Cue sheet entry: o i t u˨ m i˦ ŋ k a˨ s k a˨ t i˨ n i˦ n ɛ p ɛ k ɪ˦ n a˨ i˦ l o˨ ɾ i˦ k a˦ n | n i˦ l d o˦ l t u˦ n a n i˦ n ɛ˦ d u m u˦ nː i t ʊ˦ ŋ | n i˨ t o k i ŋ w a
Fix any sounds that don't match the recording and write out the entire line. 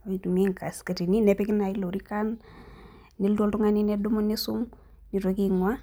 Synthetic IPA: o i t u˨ m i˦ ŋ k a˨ s k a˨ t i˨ n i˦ n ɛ p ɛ k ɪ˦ n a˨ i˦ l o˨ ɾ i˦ k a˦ n | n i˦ l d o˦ l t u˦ ŋ a n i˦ n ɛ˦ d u m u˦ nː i s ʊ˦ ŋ | n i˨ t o k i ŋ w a